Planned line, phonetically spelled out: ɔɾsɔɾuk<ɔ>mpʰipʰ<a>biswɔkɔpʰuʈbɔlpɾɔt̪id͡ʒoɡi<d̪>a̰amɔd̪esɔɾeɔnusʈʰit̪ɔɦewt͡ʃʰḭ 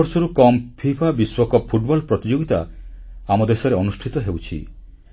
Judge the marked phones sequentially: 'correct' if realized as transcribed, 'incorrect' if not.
correct, correct, incorrect: t̪

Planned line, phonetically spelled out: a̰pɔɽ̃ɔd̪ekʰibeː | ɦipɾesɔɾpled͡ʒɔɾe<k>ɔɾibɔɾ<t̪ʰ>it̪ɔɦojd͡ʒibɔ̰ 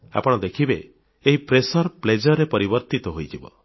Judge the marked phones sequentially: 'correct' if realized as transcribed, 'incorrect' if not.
incorrect: p, incorrect: t̪

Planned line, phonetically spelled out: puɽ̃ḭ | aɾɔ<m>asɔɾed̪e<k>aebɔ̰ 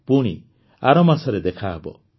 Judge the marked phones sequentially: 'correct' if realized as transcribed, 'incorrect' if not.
correct, incorrect: kʰ

